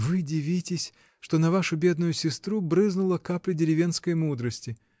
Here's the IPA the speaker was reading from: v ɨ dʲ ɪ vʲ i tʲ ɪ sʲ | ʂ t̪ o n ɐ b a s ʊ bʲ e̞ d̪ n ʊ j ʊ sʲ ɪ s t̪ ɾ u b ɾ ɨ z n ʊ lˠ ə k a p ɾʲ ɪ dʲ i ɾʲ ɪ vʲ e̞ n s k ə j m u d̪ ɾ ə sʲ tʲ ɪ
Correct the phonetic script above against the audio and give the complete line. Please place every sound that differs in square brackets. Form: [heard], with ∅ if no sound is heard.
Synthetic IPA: v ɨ dʲ ɪ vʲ i tʲ ɪ sʲ | ʂ t̪ o n ɐ [v] a [ʂ] ʊ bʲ e̞ d̪ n ʊ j ʊ sʲ ɪ s t̪ ɾ u b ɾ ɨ z n ʊ lˠ ə k a p [lʲ] ɪ dʲ [ɪ] ɾʲ ɪ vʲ e̞ n s k ə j m u d̪ ɾ ə sʲ tʲ ɪ